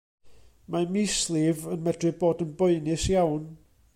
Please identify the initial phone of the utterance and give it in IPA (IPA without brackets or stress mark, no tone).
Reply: m